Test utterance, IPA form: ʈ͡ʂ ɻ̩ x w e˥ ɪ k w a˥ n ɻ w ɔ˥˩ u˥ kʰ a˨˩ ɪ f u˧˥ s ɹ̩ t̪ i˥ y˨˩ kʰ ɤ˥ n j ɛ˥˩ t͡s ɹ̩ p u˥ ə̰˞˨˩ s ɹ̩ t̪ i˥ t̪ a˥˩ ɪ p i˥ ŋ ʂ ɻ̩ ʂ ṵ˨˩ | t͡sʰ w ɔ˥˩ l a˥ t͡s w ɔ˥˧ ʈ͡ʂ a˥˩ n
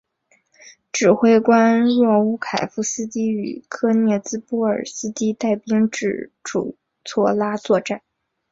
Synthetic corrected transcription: ʈ͡ʂ ɻ̩ x w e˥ ɪ k w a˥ n ɻ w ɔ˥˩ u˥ kʰ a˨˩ ɪ f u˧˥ s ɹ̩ t̪ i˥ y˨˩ kʰ ɤ˥ n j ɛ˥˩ t͡s ɹ̩ p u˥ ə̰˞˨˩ s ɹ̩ t̪ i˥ t̪ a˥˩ ɪ p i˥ ŋ ʈ͡ʂ ɻ̩ ʈ͡ʂ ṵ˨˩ | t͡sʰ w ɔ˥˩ l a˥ t͡s w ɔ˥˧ ʈ͡ʂ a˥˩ n